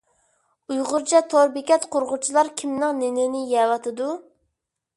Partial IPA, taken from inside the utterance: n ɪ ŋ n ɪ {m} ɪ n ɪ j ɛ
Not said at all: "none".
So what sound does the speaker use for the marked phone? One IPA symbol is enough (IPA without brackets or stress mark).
n